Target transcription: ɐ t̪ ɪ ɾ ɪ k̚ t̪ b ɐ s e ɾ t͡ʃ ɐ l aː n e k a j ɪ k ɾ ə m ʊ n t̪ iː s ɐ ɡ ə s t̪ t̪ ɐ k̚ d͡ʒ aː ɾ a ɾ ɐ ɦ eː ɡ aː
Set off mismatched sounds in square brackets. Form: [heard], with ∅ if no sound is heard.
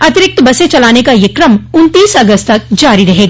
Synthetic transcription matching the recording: ɐ t̪ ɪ ɾ ɪ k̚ t̪ b ɐ s e [∅] t͡ʃ ɐ l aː n e k a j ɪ k ɾ ə m ʊ n t̪ iː s ɐ ɡ ə s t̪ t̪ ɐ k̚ d͡ʒ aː ɾ [i] ɾ ɐ ɦ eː ɡ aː

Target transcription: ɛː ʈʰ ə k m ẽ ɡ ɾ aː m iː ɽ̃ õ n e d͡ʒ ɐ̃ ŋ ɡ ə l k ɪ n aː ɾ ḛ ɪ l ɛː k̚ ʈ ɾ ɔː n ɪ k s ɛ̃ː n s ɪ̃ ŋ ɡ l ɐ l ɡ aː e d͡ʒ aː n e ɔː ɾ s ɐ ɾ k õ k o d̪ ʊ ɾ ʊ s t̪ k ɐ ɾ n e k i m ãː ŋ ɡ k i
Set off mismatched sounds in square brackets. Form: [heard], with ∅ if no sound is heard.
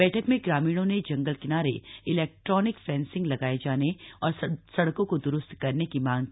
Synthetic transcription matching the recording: ɛː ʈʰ ə k m ẽ ɡ ɾ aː m iː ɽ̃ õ n e d͡ʒ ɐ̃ ŋ ɡ ə l k ɪ n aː ɾ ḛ ɪ l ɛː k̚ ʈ ɾ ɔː n ɪ k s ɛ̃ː n s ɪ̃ ŋ ɡ l ɐ [∅] ɡ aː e d͡ʒ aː n e ɔː ɾ s ɐ [ɽ] k õ k o d̪ ʊ ɾ ʊ s t̪ k ɐ ɾ n e k i m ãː ŋ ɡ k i

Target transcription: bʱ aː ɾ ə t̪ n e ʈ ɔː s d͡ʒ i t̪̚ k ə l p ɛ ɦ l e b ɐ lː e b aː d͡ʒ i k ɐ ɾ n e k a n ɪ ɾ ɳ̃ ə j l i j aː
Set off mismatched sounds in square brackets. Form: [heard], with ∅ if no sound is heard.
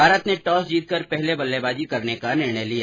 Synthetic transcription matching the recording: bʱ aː ɾ ə t̪ n e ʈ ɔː s d͡ʒ [iː] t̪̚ k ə [ɾ] p ɛ ɦ l e b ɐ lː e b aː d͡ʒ i k ɐ ɾ n e k a n ɪ ɾ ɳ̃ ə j l i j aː

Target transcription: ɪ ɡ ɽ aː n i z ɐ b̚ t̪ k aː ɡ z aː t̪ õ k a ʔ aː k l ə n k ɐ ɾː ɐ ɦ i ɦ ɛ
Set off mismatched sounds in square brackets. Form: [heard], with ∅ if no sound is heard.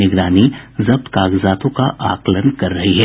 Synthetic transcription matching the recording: ɪ ɡ [ɾ] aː n i z ɐ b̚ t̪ k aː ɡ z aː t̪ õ k a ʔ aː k l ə n k ɐ ɾː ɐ ɦ i ɦ ɛ

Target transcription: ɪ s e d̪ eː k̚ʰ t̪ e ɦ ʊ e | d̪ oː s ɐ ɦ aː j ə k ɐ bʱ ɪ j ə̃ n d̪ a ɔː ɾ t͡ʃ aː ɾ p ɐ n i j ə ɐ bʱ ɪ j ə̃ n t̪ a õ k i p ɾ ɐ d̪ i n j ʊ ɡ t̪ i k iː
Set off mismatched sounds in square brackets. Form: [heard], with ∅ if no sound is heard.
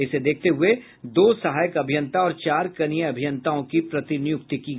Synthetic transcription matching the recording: ɪ s e d̪ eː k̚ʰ t̪ e ɦ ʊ e | d̪ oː s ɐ ɦ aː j ə k ɐ bʱ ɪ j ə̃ n [t̪] a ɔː ɾ t͡ʃ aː ɾ [k] ɐ n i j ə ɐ bʱ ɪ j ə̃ n t̪ a õ k i p ɾ ɐ [t̪] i n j ʊ [k] t̪ i k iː

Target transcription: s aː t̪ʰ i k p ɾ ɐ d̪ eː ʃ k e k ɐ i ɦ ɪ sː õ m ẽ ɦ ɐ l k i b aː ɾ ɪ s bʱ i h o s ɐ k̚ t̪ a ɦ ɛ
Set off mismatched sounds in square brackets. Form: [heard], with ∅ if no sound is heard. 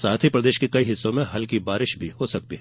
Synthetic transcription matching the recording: s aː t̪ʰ i [∅] p ɾ ɐ d̪ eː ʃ k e k ɐ i ɦ ɪ sː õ m ẽ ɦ ɐ l k i b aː ɾ ɪ [ʃ] bʱ i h o s ɐ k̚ t̪ [i] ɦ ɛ

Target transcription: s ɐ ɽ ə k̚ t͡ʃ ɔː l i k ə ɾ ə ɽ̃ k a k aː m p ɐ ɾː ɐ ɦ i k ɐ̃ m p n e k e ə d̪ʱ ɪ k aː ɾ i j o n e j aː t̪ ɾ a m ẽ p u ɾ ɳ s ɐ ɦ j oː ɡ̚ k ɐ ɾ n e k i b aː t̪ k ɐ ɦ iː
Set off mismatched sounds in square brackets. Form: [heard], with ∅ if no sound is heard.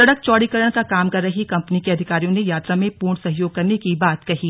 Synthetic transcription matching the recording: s ɐ ɽ ə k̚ t͡ʃ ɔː [ɽ] i k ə ɾ ə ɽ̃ k a k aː m [k] ɐ ɾː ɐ ɦ i k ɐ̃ m p n [i] k e [ɐ] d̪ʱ ɪ k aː ɾ i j [õ] n e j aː t̪ ɾ a m ẽ p [uː] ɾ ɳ s ɐ ɦ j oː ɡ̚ k ɐ ɾ n e k i b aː t̪ k ɐ ɦ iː

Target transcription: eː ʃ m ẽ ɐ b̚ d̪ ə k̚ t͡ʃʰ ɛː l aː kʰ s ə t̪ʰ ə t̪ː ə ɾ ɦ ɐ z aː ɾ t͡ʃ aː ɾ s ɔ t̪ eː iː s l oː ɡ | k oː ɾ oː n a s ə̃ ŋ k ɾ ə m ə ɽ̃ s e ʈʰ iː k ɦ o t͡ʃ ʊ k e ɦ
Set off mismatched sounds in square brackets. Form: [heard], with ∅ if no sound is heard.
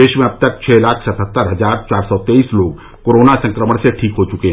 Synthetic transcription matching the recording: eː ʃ m ẽ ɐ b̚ [t̪] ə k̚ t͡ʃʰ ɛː l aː kʰ s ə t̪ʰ ə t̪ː ə ɾ ɦ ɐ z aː ɾ t͡ʃ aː ɾ s ɔ t̪ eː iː s l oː ɡ | k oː ɾ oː n a s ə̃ ŋ k ɾ ə m ə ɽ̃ s e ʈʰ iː k ɦ o t͡ʃ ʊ k e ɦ

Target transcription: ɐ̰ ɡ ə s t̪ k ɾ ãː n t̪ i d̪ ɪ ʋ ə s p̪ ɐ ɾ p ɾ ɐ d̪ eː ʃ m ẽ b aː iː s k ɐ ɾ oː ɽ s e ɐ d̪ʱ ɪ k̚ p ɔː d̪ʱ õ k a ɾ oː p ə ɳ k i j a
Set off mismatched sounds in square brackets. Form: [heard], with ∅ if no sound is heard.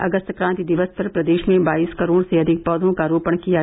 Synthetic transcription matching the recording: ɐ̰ ɡ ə s t̪ k ɾ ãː n t̪ i d̪ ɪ ʋ ə s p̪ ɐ ɾ p ɾ ɐ d̪ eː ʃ m ẽ b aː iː s k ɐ ɾ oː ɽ s e ɐ d̪ʱ ɪ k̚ p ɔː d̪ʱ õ k a ɾ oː p ə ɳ k i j a

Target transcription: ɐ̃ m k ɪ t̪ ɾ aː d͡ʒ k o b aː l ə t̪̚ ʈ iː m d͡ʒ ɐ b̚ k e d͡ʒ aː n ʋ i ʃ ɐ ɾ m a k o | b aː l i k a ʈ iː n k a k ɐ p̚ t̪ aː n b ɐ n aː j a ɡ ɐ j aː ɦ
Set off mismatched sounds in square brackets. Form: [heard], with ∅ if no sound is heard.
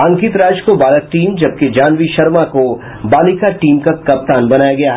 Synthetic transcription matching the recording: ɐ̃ [ŋ] k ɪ t̪ ɾ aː d͡ʒ k o b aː l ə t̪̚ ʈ iː m d͡ʒ ɐ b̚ k e d͡ʒ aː n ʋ i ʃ ɐ ɾ m a k o | b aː l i k a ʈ iː [m] k a k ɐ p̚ t̪ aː n b ɐ n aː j a ɡ ɐ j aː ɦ

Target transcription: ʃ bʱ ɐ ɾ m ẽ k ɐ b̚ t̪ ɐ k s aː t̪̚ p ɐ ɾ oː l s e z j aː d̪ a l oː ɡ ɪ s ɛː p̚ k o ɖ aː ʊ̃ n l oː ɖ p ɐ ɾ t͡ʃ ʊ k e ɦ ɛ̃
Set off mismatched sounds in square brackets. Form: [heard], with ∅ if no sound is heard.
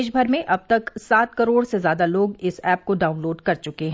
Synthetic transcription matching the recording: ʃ bʱ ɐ ɾ m ẽ [ʔ] ɐ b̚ t̪ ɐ k s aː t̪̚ [k] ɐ ɾ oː [ɽ] s e z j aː d̪ a l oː ɡ ɪ s ɛː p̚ k o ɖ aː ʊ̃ n l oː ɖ [k] ɐ ɾ t͡ʃ ʊ k e ɦ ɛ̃

